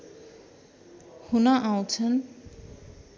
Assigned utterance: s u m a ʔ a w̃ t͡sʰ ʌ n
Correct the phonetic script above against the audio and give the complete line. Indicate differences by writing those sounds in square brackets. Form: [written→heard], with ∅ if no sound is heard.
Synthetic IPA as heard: [s→h] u [m→n] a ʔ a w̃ t͡sʰ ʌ n